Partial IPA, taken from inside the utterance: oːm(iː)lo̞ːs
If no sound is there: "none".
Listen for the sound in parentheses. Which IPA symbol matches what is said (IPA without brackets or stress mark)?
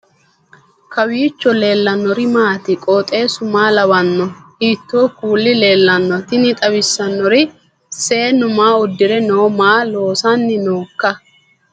aː